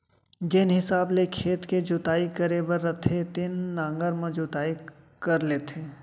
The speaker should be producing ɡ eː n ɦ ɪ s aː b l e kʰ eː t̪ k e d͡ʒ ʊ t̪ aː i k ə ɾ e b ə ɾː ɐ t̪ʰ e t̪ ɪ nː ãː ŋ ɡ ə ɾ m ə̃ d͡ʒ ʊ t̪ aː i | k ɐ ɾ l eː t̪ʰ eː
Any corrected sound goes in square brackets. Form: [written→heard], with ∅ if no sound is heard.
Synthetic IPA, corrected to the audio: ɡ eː n ɦ ɪ s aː b l e kʰ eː t̪ k e d͡ʒ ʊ t̪ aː i k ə ɾ e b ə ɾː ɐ t̪ʰ e t̪ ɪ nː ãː ŋ ɡ ə ɾ m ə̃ d͡ʒ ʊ t̪ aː i | k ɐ ɾ l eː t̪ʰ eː